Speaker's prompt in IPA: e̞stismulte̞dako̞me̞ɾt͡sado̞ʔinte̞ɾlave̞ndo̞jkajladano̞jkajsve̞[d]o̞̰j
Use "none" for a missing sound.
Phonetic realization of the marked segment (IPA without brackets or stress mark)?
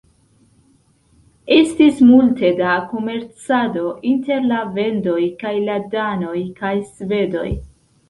d